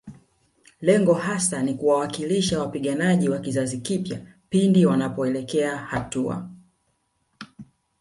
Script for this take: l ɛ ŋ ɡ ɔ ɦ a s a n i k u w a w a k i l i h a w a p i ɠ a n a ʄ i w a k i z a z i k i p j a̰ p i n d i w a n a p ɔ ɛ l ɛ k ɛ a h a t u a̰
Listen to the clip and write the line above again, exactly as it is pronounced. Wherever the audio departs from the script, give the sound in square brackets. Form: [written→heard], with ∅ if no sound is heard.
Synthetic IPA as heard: l ɛ ŋ ɡ ɔ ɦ a s a n i k u w a w a k i l i [h→ʃ] a w a p i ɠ a n a ʄ i w a k i z a z i k i p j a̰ p i n d i w a n a p ɔ ɛ l ɛ k ɛ a h a t u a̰